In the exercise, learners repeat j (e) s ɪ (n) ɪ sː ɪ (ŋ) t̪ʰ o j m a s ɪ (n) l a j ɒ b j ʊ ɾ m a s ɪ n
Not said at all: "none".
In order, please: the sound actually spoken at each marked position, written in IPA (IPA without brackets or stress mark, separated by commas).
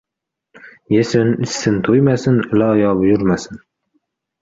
e, n, n, n